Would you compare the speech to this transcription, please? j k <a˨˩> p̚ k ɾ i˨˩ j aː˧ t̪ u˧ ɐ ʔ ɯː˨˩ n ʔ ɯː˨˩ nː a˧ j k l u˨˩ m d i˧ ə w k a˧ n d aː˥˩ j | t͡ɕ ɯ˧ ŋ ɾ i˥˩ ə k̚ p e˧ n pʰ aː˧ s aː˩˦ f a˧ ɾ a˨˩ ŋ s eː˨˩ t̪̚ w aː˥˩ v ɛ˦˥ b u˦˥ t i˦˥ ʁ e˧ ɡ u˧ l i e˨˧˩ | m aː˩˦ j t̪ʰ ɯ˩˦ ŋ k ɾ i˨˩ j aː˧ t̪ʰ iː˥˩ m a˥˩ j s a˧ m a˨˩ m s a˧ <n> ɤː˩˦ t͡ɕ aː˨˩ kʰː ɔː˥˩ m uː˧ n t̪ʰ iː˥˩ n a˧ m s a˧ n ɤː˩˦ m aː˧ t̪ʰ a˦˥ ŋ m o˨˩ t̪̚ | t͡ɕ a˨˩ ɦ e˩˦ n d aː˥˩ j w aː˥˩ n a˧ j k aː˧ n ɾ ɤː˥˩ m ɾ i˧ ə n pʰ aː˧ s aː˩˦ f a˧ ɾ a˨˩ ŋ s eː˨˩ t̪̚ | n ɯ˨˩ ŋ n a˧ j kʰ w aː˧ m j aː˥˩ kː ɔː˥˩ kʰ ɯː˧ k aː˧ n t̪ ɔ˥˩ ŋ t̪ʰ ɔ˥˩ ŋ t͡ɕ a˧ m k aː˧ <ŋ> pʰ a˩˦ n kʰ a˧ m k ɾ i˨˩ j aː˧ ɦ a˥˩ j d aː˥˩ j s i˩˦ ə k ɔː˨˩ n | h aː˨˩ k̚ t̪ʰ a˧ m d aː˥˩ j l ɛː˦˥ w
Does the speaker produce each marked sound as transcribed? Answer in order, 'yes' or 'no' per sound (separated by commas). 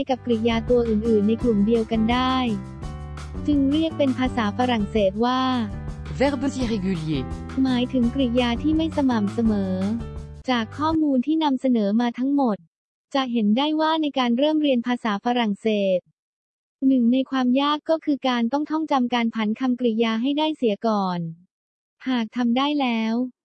yes, no, no